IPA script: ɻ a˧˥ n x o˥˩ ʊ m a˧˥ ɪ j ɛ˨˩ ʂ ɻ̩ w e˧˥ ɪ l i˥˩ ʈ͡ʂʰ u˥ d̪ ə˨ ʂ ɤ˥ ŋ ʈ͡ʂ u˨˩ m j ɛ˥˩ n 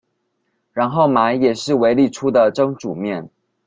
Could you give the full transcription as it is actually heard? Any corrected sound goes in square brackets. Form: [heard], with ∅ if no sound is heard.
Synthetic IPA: ɻ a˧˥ n x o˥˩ ʊ m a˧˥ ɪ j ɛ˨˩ ʂ ɻ̩ w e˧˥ ɪ l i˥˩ ʈ͡ʂʰ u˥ d̪ ə˨ [ʈ͡ʂ] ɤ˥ ŋ ʈ͡ʂ u˨˩ m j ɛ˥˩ n